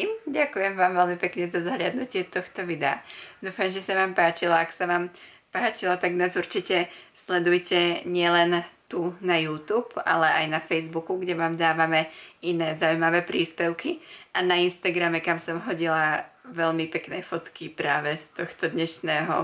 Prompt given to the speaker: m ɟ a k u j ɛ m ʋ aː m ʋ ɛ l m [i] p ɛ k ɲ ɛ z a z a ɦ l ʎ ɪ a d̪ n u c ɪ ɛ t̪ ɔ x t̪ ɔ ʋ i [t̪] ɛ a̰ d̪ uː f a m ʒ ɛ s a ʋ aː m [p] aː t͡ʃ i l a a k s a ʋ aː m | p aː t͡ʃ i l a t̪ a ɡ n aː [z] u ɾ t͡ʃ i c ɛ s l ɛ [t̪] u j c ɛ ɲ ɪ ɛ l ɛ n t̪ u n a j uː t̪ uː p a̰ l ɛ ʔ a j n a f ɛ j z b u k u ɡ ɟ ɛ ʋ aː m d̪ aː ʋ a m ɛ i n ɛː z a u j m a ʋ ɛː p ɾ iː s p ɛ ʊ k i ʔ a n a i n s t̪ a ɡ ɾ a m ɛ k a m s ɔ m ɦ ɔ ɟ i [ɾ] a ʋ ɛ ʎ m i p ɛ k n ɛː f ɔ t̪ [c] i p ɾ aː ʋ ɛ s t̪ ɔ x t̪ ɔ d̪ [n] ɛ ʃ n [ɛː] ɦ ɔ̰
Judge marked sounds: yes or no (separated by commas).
yes, no, yes, yes, no, no, no, no, yes